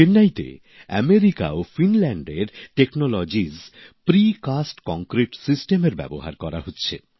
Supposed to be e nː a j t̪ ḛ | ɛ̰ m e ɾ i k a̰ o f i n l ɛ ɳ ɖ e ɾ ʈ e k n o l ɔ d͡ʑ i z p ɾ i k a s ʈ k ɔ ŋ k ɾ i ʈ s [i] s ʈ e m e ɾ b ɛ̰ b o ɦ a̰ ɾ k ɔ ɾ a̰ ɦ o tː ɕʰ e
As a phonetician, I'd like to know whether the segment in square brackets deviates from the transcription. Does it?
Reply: no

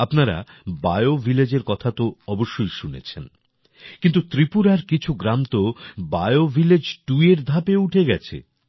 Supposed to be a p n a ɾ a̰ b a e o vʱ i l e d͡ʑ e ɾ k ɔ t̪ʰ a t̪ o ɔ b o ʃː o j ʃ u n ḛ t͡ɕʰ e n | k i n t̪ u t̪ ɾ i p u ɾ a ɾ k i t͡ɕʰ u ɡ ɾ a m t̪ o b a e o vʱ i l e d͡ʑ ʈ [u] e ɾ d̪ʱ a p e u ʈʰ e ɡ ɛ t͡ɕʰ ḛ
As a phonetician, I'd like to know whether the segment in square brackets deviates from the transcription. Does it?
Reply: no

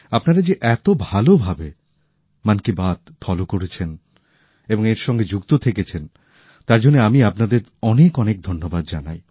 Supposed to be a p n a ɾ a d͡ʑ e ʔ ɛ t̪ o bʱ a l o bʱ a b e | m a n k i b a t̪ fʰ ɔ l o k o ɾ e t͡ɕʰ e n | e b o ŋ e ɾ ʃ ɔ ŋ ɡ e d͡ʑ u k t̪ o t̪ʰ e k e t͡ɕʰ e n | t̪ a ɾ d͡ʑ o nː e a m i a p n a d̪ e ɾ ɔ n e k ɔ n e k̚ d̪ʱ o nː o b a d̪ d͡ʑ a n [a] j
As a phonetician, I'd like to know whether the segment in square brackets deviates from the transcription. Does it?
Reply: no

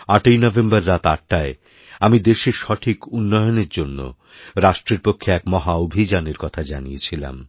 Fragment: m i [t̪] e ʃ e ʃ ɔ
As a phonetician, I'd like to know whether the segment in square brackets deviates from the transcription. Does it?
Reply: yes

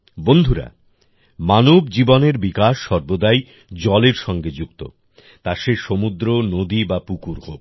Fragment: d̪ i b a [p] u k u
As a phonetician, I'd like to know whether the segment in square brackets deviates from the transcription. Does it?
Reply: no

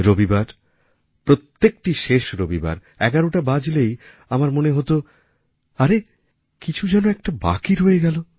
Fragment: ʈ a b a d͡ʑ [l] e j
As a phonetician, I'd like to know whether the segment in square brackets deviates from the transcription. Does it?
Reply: no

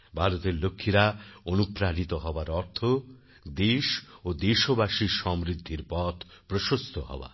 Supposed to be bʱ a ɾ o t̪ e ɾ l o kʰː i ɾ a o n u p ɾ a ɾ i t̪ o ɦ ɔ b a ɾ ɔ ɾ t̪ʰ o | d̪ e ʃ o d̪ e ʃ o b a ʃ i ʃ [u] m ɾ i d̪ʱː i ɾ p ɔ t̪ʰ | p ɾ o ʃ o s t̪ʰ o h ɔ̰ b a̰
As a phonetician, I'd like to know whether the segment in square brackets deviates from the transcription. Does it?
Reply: yes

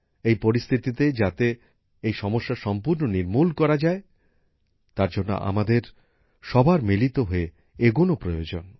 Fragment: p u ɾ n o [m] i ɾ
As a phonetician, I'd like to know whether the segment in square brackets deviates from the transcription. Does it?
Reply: yes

